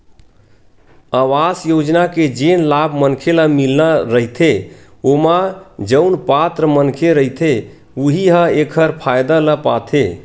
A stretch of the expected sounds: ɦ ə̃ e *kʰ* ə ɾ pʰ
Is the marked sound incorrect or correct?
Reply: correct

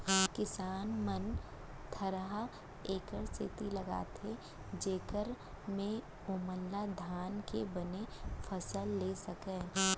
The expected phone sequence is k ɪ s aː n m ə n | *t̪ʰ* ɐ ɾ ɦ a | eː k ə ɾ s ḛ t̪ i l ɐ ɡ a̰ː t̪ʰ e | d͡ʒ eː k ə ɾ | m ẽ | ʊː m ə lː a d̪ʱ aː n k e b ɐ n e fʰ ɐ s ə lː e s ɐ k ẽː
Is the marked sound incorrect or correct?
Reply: correct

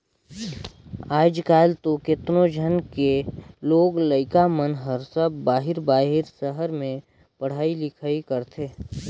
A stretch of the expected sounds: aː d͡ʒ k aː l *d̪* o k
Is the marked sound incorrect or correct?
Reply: incorrect: t̪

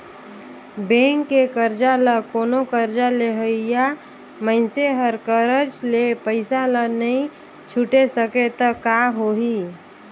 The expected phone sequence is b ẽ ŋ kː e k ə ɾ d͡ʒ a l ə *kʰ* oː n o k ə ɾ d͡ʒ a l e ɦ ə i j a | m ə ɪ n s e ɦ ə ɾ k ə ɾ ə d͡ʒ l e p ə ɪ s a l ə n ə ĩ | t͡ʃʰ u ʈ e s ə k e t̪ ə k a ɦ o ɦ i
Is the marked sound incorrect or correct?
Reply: incorrect: k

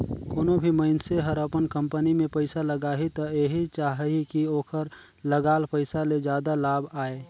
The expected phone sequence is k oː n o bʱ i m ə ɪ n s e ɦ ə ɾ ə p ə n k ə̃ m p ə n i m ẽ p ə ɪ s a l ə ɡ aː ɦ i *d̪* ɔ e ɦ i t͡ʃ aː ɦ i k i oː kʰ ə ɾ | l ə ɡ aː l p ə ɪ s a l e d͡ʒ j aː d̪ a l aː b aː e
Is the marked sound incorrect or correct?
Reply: incorrect: t̪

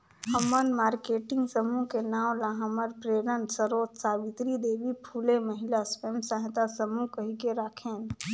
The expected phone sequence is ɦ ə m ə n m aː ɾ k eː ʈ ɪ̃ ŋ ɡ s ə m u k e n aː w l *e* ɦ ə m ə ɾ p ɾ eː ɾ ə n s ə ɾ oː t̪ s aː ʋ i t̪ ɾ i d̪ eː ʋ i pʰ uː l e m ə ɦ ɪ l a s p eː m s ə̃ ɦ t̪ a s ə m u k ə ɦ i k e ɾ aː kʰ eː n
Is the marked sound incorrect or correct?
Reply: incorrect: a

